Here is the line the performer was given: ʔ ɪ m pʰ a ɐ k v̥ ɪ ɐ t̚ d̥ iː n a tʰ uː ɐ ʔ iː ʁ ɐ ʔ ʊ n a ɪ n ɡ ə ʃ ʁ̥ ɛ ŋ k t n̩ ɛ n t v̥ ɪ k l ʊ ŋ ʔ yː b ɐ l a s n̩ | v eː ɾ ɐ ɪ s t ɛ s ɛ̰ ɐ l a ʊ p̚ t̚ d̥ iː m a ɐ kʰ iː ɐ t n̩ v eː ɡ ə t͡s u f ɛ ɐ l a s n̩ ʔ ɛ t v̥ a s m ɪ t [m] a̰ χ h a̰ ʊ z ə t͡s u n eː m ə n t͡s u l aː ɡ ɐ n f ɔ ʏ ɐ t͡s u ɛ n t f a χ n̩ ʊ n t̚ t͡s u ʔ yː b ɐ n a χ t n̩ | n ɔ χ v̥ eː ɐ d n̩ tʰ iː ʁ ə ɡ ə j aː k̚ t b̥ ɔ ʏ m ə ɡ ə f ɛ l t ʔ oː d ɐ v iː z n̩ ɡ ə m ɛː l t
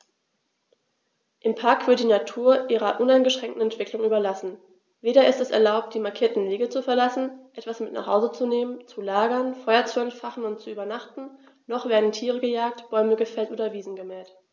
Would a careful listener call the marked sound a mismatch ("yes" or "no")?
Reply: yes